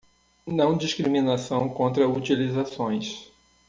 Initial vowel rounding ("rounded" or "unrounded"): unrounded